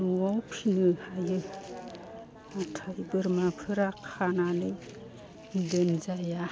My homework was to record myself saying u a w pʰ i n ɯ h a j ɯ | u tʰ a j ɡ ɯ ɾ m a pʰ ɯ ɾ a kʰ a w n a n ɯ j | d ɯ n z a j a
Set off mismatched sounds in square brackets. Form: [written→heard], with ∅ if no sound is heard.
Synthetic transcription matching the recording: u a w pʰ i n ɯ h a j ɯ | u tʰ a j [ɡ→b] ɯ ɾ m a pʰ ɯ ɾ a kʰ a [w→∅] n a n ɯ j | d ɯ n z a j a